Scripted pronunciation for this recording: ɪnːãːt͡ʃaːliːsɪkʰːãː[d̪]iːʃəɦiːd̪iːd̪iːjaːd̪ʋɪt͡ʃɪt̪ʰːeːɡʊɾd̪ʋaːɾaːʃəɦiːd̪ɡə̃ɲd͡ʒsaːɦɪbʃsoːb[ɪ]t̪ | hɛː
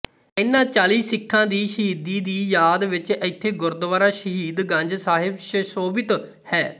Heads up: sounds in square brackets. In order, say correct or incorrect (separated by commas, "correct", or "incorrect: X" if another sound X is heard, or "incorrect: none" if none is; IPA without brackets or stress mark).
correct, correct